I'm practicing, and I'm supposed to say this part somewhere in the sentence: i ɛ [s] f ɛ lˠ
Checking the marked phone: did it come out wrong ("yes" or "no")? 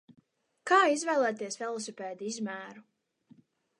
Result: no